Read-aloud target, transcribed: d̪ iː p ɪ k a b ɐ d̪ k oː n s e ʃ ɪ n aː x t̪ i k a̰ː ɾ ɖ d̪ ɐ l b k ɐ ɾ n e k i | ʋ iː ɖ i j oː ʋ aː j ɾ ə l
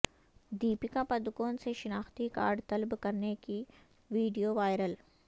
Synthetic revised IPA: d̪ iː p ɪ k a p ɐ d̪ k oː n s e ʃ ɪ n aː x t̪ i k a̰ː ɾ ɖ t̪ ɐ l b k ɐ ɾ n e k i | ʋ iː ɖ i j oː ʋ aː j ɾ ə l